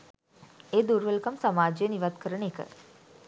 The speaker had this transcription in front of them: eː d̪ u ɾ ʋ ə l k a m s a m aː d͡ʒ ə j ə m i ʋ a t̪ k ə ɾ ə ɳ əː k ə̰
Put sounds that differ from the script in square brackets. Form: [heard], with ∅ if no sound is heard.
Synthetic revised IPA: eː d̪ u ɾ ʋ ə l k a m s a m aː d͡ʒ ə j ə [n] i ʋ a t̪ k ə ɾ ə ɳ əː k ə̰